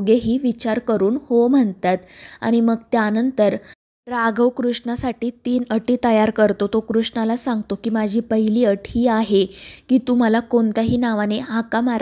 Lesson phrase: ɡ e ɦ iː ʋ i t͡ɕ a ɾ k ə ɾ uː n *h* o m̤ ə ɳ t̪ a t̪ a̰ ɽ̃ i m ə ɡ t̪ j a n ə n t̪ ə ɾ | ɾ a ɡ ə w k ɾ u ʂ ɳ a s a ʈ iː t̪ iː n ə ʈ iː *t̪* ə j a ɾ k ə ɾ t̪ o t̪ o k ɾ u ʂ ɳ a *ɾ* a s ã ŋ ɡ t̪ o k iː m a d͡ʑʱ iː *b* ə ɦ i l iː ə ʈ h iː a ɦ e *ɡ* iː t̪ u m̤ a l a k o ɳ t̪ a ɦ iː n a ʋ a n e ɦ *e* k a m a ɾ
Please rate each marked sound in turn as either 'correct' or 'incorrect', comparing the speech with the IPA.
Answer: correct, correct, incorrect, incorrect, incorrect, incorrect

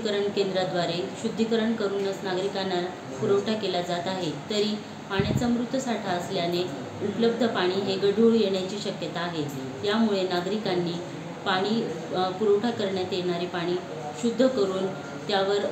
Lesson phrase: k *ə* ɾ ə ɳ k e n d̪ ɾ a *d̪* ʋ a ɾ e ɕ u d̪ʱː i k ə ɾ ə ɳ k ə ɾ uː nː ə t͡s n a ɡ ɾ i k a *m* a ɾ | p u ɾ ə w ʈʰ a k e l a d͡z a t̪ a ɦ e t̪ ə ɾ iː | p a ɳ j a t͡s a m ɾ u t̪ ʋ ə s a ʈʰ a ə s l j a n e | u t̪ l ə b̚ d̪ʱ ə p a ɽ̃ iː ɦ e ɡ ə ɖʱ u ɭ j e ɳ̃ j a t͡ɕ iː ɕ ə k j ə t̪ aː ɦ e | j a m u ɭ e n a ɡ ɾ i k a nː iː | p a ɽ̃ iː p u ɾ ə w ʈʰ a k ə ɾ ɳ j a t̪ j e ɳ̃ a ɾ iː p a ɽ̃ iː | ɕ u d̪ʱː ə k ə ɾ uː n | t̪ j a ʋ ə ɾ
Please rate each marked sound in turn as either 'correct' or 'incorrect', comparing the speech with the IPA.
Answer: correct, correct, incorrect

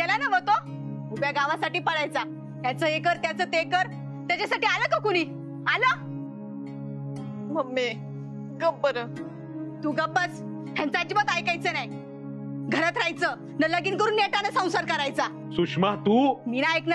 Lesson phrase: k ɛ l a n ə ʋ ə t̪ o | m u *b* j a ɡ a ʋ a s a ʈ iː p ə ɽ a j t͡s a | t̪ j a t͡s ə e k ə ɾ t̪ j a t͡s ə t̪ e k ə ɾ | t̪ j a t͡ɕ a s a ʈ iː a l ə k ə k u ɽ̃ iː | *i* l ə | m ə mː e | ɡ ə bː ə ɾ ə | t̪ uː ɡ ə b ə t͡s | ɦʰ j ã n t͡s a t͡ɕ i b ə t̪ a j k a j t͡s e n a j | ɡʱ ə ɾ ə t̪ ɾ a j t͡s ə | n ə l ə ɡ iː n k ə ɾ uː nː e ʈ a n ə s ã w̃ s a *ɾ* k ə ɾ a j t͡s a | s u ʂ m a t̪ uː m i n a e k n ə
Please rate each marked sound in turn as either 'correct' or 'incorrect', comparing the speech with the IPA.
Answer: correct, incorrect, correct

